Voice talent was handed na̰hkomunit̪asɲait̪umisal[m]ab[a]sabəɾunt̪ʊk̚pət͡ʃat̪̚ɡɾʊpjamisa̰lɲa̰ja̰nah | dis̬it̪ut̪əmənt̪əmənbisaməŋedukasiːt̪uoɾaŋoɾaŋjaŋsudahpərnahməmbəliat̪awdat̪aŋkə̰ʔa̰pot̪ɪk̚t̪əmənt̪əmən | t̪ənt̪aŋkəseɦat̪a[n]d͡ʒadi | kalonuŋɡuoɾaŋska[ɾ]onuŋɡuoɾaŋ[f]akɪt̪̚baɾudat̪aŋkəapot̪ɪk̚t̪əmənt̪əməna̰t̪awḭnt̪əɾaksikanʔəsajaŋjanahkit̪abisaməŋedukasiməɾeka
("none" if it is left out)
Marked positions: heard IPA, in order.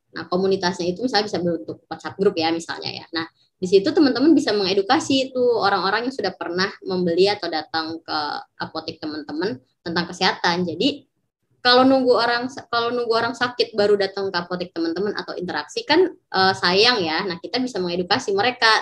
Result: ɲ, i, n, l, s

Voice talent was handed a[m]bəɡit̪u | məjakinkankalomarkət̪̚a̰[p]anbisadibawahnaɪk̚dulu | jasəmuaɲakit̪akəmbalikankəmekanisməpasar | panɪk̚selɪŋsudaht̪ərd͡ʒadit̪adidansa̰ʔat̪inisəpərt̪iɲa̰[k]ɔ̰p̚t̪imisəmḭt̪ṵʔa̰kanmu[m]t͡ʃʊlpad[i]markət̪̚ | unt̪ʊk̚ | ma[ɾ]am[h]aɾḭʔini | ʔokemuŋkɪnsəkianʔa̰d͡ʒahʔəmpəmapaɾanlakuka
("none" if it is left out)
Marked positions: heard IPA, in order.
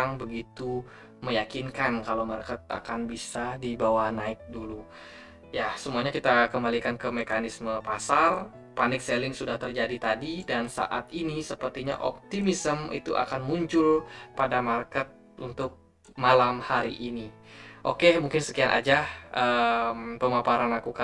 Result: ŋ, k, ʔ, ɲ, a, l, h

